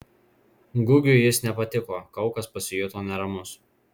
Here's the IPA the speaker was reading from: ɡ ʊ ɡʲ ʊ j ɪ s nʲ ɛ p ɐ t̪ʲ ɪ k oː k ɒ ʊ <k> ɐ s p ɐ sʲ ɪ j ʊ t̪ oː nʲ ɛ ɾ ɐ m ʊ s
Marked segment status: correct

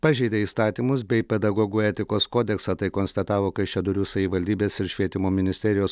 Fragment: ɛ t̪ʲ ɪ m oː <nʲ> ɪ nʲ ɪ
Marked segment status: incorrect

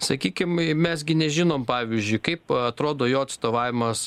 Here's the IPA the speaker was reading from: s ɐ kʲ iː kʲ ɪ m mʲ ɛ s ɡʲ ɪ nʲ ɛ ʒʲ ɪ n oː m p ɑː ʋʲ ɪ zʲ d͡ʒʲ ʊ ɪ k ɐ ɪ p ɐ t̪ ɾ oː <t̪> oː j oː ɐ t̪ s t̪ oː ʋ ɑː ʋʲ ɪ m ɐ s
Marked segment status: incorrect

